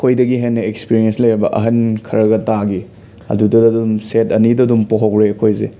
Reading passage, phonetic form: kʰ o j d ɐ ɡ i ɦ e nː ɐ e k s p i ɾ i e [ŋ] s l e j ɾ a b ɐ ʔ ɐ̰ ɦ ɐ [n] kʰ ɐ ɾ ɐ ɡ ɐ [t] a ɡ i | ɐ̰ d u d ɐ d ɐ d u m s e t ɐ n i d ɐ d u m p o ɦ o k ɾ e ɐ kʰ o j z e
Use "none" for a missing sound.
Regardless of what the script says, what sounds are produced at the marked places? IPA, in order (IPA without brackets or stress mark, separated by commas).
n, n, t